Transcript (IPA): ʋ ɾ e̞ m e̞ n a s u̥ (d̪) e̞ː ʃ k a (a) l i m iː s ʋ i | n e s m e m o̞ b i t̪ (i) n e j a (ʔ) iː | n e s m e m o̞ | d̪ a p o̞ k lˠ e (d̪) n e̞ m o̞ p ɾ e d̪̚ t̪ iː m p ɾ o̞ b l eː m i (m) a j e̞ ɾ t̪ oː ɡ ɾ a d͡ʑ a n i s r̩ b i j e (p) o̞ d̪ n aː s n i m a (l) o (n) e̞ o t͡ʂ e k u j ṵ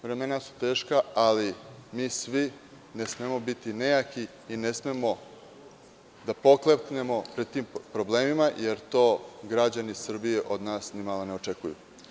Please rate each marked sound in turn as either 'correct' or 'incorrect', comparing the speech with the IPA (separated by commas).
incorrect, correct, correct, incorrect, incorrect, correct, incorrect, correct, correct